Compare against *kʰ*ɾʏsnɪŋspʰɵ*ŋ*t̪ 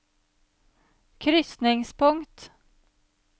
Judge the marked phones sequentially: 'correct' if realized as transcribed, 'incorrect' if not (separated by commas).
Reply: correct, correct